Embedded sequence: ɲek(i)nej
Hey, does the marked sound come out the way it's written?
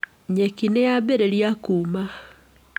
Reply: yes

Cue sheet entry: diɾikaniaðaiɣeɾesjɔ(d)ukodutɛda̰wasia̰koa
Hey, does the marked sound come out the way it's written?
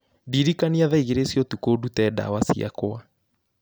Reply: no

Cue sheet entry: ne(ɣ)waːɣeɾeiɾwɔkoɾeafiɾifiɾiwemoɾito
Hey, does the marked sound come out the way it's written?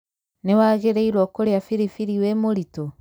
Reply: no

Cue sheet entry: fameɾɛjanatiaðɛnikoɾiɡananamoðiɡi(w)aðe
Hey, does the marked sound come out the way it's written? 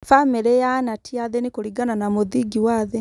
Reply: yes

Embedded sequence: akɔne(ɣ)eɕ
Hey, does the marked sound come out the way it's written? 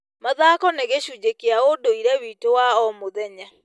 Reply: yes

